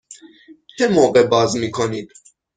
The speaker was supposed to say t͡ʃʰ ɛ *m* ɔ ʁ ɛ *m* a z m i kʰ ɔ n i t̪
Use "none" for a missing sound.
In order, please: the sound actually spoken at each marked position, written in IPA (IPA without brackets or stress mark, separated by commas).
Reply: m, b